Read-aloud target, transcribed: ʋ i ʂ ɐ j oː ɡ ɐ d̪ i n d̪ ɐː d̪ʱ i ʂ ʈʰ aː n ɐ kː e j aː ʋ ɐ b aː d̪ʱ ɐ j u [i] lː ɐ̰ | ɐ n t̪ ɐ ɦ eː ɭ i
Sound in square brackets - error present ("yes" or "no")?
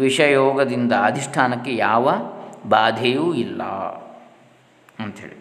no